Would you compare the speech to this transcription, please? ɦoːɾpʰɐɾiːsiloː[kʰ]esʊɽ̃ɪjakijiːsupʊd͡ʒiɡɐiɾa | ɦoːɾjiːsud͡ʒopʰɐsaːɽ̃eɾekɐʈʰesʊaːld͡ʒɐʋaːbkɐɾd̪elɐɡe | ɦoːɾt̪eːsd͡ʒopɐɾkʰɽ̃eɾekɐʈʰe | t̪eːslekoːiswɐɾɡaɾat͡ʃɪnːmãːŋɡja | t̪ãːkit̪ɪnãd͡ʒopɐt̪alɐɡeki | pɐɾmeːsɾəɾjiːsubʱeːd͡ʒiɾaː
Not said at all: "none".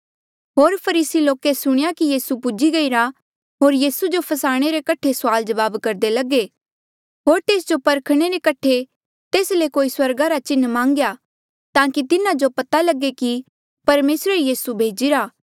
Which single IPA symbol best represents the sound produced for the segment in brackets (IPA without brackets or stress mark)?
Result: k